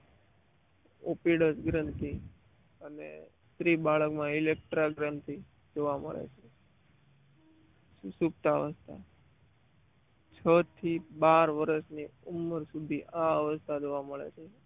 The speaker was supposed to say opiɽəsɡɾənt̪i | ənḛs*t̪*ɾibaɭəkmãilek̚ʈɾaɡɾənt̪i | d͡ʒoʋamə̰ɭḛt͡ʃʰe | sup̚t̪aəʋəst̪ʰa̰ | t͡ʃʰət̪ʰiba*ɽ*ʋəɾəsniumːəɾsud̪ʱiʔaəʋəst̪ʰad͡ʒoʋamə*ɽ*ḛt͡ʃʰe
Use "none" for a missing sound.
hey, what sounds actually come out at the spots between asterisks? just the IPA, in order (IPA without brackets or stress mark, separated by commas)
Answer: t̪, ɾ, ɭ